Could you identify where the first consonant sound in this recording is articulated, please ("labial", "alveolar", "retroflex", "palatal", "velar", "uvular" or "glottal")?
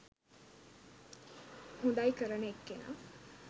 glottal